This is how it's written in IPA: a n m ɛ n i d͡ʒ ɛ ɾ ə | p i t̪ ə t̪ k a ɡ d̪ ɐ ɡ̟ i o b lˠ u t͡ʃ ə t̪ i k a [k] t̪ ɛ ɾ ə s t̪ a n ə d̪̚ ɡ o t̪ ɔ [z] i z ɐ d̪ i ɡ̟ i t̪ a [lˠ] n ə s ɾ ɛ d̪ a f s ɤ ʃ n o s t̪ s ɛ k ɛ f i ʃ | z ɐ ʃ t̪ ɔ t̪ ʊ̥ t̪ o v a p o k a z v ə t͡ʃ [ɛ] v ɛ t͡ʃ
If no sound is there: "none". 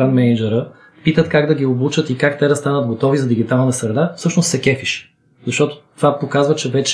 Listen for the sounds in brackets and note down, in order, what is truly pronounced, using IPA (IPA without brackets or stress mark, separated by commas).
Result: k, v, lˠ, ɛ